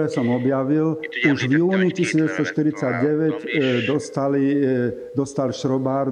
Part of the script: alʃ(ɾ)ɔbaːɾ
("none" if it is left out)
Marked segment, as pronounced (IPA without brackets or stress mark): ɾ